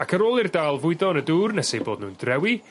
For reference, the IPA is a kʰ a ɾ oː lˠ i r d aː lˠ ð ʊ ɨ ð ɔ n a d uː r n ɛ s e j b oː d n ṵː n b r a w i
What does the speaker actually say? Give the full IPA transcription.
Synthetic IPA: a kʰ ə ɾ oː lˠ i r d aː lˠ v ʊ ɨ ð ɔ n ə d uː r n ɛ s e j b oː d n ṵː n d r ɛ w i